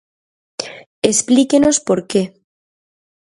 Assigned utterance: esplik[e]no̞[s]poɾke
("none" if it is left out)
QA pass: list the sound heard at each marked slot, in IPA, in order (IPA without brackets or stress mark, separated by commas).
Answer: e, s